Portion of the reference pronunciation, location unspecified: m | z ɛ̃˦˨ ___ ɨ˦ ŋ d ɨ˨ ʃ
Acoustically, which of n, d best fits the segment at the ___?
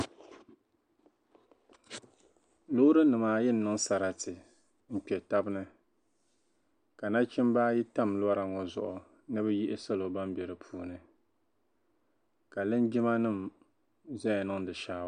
n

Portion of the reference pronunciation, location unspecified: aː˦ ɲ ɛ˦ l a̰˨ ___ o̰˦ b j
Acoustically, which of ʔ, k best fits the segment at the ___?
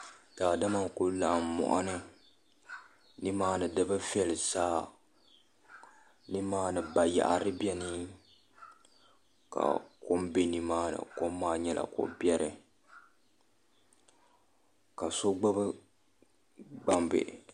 k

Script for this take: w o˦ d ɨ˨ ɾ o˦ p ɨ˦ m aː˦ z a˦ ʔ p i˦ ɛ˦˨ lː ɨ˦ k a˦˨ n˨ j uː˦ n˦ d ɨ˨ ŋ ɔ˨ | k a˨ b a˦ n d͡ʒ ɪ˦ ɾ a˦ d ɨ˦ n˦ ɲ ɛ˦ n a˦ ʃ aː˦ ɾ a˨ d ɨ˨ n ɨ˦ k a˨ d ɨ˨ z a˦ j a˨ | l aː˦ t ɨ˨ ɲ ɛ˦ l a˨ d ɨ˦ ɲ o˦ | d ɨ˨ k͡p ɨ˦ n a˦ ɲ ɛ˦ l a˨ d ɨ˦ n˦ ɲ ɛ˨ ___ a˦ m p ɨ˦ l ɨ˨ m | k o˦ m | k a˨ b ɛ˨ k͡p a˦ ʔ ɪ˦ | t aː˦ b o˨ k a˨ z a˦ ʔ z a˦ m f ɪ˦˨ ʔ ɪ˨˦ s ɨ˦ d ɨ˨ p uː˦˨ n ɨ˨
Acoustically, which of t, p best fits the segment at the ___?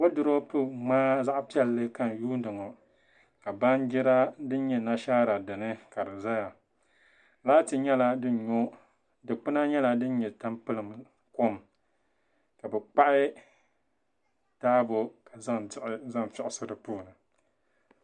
t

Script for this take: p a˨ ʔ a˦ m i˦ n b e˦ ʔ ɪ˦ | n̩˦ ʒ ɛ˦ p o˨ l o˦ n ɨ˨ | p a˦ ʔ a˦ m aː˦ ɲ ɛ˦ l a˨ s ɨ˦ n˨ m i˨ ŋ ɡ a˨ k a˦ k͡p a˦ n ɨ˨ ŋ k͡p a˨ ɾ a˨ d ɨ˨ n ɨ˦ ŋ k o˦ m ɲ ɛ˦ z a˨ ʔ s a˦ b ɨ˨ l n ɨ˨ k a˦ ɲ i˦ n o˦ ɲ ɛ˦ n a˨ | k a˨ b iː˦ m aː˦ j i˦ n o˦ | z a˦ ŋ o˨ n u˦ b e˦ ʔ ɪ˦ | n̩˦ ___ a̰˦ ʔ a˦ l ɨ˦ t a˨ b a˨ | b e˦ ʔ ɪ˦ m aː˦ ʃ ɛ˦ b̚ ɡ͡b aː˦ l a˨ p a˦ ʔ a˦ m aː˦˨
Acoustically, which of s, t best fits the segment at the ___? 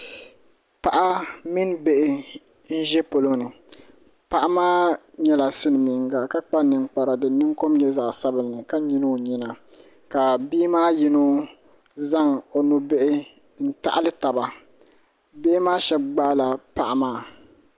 t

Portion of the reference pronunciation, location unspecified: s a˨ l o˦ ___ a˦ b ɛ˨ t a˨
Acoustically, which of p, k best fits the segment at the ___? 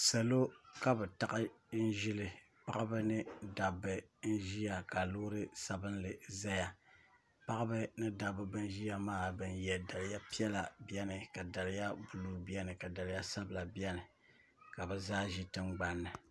k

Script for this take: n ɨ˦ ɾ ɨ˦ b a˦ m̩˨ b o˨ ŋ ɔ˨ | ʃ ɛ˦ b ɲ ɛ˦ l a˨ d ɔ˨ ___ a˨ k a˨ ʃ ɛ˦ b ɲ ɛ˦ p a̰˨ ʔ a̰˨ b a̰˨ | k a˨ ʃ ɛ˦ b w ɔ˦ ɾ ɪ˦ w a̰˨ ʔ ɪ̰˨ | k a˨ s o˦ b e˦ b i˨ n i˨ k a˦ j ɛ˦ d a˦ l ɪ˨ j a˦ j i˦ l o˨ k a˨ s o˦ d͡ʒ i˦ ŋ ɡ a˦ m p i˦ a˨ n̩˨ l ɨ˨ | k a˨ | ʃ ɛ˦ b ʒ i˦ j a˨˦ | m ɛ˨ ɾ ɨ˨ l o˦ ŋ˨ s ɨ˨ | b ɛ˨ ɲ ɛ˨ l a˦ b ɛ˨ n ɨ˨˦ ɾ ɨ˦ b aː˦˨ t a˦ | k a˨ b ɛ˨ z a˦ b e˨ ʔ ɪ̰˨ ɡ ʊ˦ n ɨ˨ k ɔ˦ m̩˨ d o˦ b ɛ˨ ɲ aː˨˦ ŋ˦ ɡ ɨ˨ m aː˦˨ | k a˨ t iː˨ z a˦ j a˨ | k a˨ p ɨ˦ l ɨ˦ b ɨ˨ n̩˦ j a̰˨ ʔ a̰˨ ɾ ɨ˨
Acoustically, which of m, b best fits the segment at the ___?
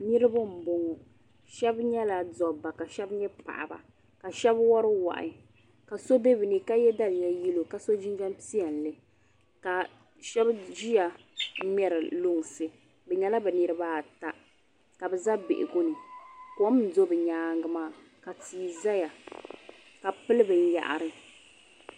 b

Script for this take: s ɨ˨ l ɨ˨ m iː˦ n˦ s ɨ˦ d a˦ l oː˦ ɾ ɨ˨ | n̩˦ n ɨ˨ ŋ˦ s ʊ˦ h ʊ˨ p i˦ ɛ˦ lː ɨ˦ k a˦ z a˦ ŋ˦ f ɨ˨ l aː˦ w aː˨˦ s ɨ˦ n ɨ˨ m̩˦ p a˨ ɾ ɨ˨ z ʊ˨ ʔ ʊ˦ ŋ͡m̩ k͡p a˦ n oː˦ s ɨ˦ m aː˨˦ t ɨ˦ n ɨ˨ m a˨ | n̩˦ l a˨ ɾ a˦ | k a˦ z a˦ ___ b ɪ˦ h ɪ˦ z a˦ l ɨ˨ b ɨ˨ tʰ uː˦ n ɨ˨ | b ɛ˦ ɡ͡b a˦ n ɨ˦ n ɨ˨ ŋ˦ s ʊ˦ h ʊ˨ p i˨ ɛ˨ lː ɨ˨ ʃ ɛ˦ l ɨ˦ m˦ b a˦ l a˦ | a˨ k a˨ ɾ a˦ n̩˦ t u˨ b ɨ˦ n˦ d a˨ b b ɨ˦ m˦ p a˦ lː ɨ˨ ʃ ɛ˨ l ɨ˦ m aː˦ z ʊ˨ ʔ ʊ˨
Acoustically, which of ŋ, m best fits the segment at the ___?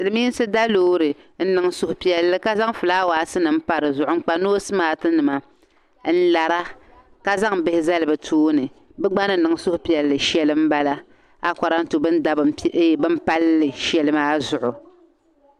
ŋ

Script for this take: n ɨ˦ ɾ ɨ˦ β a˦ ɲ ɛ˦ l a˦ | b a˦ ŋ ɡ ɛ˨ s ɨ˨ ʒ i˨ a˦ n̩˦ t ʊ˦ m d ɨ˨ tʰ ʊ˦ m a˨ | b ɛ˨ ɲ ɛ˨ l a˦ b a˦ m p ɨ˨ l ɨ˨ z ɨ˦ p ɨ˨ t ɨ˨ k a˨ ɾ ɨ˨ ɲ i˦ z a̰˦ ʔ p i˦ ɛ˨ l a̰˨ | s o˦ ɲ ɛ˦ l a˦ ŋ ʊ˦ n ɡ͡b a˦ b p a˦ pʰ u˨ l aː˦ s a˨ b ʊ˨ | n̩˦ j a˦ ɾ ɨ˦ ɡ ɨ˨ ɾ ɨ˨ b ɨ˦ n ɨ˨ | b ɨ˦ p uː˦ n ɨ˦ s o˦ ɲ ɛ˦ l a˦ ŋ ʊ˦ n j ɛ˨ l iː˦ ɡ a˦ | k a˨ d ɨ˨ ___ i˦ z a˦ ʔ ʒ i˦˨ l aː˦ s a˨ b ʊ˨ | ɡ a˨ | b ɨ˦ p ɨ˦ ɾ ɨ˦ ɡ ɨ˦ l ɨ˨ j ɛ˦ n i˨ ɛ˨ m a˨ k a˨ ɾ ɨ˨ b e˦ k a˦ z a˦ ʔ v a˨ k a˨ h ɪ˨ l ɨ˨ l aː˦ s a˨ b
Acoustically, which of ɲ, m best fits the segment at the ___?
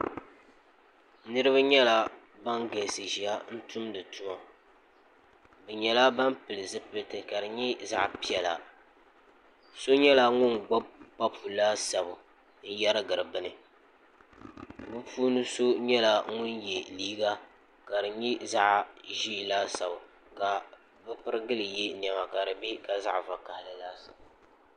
ɲ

